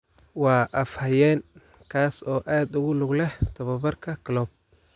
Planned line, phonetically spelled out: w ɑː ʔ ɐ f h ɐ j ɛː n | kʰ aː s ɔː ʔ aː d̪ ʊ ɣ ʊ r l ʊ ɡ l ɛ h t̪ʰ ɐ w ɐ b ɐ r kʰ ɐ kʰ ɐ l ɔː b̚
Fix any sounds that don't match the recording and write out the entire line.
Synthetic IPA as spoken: w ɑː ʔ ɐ f h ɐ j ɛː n | kʰ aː s ɔː ʔ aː d̪ ʊ ɣ ʊ l ʊ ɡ l ɛ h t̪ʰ ɐ β ɐ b ɐ r kʰ ɐ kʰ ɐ l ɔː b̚